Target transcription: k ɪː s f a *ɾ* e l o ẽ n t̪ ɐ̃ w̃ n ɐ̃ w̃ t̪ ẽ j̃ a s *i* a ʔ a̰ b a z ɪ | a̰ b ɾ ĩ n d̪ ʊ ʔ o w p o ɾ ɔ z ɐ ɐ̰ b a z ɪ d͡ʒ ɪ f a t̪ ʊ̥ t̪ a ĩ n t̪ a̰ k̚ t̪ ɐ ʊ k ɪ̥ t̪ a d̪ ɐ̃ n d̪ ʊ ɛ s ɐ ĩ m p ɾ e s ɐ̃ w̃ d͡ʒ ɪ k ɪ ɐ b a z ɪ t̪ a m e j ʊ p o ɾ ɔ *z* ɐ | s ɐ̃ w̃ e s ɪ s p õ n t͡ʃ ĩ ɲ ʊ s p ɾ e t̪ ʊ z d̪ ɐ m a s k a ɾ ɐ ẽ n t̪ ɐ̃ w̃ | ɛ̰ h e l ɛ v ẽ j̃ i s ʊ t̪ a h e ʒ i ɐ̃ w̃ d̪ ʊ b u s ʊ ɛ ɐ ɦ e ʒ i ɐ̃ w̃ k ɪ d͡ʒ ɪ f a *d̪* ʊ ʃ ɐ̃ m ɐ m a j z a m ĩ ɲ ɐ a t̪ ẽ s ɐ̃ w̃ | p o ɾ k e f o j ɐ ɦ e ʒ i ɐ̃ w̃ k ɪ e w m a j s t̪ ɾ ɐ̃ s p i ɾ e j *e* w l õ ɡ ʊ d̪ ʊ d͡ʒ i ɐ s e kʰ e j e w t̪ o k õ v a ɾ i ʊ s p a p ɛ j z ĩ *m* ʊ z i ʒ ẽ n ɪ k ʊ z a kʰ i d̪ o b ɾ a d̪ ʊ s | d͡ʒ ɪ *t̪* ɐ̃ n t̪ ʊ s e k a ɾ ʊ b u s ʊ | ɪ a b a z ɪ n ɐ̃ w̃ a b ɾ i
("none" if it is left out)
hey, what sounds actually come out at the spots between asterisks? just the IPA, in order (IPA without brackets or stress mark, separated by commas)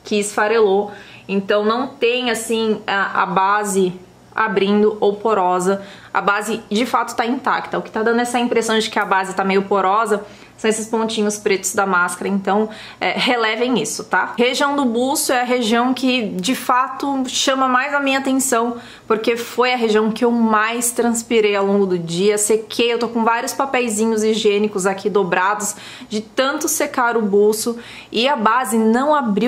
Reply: ɾ, ĩ, z, t̪, a, ɲ, t̪